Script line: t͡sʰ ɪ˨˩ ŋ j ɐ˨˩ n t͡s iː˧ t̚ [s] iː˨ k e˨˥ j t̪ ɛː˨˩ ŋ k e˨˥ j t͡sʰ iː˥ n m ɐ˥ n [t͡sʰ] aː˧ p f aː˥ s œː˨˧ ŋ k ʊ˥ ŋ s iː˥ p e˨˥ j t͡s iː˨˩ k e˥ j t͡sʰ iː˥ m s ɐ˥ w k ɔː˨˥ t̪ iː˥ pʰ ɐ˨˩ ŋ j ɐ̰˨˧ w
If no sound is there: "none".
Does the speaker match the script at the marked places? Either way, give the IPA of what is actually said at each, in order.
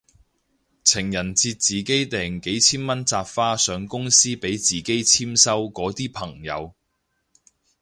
t͡s, t͡s

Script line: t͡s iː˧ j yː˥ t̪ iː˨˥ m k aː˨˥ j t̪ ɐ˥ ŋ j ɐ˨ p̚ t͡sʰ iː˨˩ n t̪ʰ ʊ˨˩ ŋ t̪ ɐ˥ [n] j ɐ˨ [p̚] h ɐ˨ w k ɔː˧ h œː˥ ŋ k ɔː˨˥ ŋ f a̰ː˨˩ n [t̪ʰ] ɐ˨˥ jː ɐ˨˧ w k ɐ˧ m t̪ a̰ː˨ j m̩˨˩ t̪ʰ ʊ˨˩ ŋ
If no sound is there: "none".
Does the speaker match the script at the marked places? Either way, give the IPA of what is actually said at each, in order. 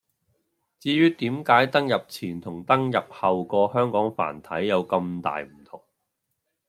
ŋ, p̚, t̪ʰ

